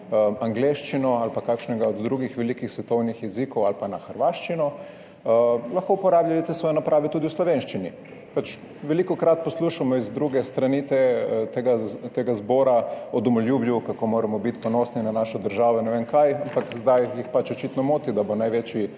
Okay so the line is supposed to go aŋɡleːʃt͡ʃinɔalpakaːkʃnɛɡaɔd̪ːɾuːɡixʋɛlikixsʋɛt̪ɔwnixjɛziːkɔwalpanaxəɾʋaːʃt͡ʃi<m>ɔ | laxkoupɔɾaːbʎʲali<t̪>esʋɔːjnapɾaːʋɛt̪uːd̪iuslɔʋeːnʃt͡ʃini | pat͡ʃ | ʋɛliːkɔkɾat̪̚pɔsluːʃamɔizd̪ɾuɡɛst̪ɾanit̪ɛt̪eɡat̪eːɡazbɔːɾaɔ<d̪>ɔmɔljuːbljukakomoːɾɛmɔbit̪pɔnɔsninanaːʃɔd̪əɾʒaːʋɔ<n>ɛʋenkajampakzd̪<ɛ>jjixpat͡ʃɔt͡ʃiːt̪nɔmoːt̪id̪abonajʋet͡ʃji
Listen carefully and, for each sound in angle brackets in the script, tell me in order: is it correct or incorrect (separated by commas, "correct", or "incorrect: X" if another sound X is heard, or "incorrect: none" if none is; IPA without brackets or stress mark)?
incorrect: n, correct, correct, correct, incorrect: a